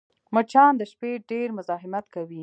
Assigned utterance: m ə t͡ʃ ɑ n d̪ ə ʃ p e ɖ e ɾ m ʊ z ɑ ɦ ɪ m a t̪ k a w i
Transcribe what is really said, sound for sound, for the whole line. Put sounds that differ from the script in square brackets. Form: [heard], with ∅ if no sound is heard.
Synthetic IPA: m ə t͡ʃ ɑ n d̪ ə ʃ p e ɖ e ɾ m ʊ z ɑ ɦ ɪ m a t̪ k a w i